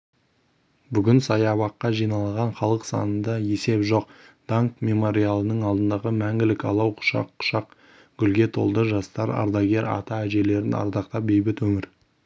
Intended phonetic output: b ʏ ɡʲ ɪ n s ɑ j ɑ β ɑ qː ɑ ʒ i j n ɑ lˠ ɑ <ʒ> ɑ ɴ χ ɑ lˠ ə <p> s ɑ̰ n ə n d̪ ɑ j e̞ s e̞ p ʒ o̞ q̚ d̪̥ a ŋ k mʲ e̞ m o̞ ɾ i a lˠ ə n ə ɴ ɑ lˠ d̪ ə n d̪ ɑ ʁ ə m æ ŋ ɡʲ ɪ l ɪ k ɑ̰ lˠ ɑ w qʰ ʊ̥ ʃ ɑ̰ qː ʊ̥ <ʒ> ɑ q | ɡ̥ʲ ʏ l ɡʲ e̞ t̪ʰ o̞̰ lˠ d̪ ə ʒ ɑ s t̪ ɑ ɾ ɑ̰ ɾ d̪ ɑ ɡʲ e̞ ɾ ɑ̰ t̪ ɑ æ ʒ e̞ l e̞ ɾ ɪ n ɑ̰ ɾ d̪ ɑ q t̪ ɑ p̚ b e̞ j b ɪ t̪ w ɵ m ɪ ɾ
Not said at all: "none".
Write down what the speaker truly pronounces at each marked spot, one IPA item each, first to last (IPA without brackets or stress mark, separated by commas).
ʁ, q, ʃ